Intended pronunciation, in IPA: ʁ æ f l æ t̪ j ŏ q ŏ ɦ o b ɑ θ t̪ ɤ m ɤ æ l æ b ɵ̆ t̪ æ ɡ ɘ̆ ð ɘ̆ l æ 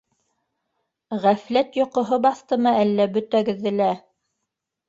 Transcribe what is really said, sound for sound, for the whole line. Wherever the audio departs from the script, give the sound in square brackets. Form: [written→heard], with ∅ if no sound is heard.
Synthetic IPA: ʁ æ f l æ t̪ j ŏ q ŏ ɦ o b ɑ θ t̪ ɤ m ɤ æ [l→lː] æ b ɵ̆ t̪ æ ɡ ɘ̆ [ð→ðː] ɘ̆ l æ